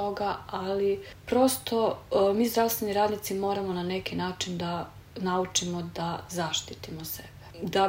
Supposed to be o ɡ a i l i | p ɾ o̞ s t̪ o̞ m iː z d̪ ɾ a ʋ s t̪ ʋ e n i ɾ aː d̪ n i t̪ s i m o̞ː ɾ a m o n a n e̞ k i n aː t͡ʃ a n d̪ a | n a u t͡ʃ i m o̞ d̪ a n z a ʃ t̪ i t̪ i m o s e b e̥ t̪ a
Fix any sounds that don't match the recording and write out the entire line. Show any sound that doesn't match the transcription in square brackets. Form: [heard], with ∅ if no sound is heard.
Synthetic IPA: o ɡ a [a] l i | p ɾ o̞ s t̪ o̞ m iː z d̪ ɾ a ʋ s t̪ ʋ e n i ɾ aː d̪ n i t̪ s i m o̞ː ɾ a m o n a n e̞ k i n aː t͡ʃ [i] n d̪ a | n a u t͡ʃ i m o̞ d̪ a [∅] z a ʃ t̪ i t̪ i m o s e b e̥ [d̪] a